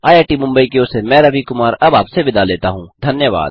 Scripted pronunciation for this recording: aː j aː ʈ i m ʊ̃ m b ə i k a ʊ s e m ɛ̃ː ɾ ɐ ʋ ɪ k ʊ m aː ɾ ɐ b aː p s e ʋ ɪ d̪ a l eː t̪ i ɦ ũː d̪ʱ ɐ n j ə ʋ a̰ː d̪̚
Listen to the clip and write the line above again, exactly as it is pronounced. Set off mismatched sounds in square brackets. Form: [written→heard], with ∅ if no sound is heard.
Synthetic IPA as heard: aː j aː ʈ i m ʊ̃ m b ə i k [a→e] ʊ s e m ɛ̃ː ɾ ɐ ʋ [ɪ→i] k ʊ m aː ɾ ɐ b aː p s e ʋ ɪ d̪ a l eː t̪ [i→a] ɦ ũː d̪ʱ ɐ n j ə ʋ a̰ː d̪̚